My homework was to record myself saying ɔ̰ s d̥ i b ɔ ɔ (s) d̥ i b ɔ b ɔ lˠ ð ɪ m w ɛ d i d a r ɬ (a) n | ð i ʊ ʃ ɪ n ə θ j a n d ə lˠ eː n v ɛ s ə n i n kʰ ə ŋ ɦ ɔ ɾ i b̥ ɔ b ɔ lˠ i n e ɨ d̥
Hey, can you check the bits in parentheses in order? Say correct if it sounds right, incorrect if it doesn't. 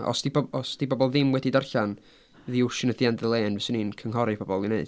correct, correct

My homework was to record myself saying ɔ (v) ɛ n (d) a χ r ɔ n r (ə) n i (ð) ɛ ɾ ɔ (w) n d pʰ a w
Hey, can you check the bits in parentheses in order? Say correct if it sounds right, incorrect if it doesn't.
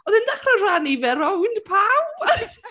incorrect, correct, incorrect, incorrect, correct

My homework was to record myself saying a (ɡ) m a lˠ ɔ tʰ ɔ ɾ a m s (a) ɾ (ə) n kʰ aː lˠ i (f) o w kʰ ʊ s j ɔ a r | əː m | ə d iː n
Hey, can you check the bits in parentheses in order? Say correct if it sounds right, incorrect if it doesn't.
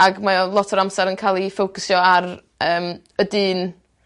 correct, correct, correct, correct

